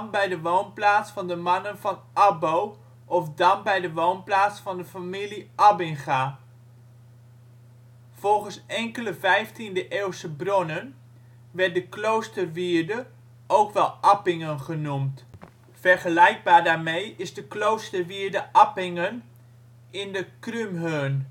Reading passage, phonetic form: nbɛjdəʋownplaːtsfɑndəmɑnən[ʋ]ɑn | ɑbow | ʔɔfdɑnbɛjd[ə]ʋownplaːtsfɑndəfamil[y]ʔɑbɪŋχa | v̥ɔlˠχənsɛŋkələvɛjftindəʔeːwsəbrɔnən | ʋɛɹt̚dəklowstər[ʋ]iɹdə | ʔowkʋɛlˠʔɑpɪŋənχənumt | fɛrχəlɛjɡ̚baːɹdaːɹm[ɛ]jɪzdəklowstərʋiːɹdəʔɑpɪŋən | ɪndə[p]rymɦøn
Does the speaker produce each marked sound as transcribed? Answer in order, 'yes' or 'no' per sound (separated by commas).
no, yes, no, yes, no, no